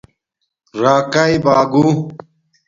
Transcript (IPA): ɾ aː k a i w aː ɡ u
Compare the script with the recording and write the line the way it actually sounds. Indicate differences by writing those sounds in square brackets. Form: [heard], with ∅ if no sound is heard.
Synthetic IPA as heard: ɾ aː k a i [b] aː ɡ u